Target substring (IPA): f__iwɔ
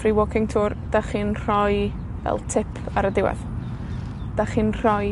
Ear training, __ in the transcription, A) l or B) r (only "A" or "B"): B